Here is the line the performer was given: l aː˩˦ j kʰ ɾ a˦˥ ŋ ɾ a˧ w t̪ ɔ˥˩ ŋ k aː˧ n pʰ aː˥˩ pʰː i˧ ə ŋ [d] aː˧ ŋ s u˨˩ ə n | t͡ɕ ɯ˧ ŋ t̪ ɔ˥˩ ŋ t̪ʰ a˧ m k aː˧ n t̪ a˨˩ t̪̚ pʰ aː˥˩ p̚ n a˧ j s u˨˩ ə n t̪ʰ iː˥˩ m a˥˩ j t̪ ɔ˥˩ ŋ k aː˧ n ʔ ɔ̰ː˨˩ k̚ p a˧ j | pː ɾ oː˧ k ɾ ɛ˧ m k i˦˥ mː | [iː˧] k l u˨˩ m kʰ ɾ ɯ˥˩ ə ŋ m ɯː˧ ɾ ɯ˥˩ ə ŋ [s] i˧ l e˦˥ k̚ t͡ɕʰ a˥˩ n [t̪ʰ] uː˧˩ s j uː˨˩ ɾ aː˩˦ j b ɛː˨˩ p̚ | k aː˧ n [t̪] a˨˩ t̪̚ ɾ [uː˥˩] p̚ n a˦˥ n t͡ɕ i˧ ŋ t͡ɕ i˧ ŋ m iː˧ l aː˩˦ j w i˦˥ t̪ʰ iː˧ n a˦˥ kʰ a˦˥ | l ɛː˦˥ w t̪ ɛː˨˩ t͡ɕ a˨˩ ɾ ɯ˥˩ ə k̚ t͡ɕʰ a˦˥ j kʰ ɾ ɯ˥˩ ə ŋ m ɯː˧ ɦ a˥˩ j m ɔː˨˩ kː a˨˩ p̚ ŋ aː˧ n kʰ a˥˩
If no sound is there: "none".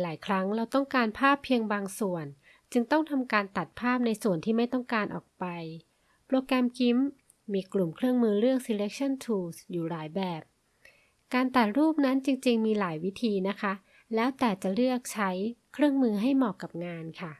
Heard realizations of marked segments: b, iː˧, s, t̪ʰ, t̪, uː˥˩

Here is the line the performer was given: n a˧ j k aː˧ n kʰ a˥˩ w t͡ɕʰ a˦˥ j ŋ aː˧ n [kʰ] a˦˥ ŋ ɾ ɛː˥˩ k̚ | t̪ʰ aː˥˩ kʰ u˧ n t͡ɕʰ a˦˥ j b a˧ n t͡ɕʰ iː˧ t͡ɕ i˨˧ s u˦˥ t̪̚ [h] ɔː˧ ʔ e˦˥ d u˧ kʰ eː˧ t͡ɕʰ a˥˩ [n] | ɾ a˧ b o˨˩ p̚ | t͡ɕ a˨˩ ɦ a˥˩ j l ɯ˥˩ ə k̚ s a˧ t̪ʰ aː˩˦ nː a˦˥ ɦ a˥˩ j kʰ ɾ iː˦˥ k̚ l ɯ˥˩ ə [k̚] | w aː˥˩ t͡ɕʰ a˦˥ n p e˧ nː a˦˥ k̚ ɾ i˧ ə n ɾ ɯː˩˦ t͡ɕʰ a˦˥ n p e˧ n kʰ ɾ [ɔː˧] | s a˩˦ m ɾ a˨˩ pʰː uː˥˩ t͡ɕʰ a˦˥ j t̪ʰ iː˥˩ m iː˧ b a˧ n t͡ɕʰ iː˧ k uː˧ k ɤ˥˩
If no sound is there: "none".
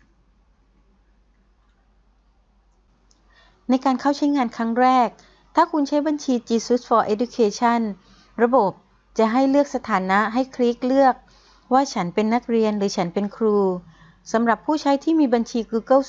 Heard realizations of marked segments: kʰ, f, n, k̚, uː˧

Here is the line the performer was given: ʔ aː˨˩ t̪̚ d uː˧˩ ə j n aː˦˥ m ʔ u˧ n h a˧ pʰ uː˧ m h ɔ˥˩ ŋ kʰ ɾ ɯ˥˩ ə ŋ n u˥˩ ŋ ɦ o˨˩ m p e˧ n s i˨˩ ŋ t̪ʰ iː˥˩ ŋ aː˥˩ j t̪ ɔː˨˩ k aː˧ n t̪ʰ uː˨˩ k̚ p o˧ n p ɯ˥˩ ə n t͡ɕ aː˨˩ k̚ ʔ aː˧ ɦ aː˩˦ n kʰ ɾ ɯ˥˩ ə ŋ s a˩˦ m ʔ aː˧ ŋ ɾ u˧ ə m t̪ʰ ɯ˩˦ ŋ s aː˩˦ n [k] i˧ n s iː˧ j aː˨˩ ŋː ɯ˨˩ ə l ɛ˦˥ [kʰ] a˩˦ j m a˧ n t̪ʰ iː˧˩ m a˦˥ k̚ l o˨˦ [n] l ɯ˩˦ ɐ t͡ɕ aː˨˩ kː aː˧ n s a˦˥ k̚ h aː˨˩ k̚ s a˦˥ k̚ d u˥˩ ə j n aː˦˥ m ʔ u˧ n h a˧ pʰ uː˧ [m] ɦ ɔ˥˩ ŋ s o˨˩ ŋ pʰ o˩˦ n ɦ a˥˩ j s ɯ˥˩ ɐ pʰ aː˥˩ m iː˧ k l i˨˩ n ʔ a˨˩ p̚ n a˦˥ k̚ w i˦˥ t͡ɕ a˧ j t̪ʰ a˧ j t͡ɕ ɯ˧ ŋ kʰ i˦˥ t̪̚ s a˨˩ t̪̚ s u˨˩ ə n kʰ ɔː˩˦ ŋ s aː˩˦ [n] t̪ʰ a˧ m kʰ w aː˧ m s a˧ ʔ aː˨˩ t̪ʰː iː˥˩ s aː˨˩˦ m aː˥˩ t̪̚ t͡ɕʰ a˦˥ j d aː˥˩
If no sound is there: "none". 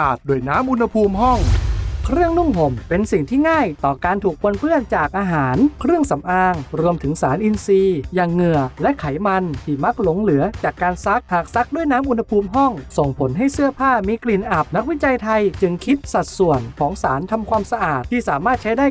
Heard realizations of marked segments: ʔ, kʰ, ŋ, m, n

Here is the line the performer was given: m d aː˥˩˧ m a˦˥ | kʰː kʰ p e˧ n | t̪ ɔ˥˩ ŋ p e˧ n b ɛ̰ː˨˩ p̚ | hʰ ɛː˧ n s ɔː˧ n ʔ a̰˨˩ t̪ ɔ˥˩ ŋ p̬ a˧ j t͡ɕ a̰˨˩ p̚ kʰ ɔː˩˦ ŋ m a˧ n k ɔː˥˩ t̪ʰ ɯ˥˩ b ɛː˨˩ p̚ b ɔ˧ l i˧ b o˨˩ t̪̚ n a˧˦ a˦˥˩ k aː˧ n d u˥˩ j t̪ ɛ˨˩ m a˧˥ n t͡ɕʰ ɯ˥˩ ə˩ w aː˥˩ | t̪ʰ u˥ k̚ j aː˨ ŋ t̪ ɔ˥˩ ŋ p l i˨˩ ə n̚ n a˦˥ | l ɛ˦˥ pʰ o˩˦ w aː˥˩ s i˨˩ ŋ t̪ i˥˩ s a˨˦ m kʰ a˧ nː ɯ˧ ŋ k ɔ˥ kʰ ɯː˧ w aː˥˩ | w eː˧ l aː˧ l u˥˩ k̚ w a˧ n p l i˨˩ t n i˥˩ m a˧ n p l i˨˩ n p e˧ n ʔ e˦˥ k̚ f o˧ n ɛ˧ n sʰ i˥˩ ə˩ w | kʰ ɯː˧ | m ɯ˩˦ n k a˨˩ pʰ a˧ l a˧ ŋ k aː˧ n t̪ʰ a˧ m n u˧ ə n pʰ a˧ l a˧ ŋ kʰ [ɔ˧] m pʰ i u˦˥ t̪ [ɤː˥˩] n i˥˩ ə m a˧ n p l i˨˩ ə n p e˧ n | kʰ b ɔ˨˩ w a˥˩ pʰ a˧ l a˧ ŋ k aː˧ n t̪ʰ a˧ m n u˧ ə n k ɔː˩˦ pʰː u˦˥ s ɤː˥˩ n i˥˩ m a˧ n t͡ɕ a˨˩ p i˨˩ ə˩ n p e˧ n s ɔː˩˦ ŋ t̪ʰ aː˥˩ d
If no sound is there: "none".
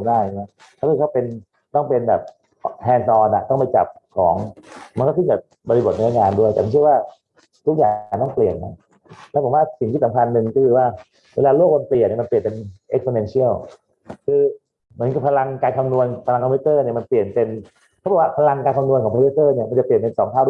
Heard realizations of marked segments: ɔ˧, ɤː˥˩

